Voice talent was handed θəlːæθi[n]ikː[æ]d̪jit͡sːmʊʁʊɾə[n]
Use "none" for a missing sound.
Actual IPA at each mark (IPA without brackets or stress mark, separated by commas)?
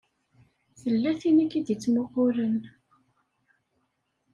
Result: n, i, n